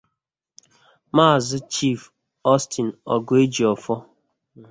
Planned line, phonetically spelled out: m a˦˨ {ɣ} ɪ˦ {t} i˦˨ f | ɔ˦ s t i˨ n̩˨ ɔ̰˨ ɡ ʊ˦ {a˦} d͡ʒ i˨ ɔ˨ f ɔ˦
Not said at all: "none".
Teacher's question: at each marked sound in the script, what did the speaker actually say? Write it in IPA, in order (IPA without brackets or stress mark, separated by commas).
z, t͡ʃ, e˦